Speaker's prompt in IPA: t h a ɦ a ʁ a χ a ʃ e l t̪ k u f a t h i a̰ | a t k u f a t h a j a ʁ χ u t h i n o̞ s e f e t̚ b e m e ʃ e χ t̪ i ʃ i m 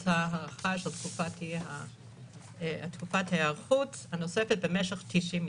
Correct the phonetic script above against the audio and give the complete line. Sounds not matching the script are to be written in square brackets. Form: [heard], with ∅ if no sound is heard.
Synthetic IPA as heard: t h a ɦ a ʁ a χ a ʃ e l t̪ k u f a t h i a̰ | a t k u f a t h a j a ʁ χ u t h [a] n o̞ s e f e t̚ b e m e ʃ e χ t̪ i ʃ i m